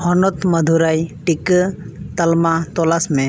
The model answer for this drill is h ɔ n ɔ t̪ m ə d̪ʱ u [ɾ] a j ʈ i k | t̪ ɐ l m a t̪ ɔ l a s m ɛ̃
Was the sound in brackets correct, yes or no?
yes